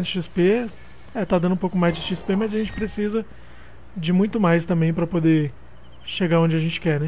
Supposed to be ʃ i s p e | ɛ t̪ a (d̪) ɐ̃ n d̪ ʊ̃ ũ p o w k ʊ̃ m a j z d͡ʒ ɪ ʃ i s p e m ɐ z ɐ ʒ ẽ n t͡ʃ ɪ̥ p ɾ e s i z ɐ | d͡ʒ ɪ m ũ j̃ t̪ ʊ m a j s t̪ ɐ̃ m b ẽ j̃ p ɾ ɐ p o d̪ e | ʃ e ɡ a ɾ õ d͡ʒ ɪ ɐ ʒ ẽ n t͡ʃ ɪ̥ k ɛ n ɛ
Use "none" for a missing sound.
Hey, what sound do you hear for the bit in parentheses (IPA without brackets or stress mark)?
d̪